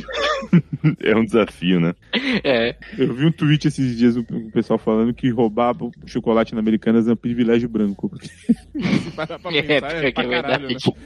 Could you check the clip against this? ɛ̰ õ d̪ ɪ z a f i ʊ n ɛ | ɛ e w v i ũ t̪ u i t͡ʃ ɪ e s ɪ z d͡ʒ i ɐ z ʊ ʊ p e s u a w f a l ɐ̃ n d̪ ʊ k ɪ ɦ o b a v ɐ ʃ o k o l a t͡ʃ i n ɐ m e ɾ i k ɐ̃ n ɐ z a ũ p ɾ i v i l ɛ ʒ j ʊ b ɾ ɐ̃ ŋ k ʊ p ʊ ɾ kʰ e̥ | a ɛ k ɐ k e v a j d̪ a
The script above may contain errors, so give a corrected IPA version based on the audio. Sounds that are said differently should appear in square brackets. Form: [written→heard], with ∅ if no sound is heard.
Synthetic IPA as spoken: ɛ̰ [õ→ũ] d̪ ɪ z a f i ʊ n ɛ | ɛ e w v i ũ t̪ u i t͡ʃ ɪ e s ɪ z d͡ʒ i ɐ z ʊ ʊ p e s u a w f a l ɐ̃ n d̪ ʊ k ɪ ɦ o b a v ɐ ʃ o k o l a t͡ʃ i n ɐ m e ɾ i k ɐ̃ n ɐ z [a→ɛ] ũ p ɾ i v i l ɛ ʒ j ʊ b ɾ ɐ̃ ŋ k ʊ p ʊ ɾ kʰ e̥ | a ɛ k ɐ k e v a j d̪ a